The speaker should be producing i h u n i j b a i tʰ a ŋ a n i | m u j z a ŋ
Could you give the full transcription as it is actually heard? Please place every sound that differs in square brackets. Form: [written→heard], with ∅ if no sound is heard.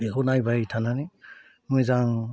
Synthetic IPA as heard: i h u n [i→a] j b a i tʰ a [ŋ→n] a n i | m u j z a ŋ